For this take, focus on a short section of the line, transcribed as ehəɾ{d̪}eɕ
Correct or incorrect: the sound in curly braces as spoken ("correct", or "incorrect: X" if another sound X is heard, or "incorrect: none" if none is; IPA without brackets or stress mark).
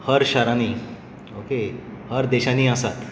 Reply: correct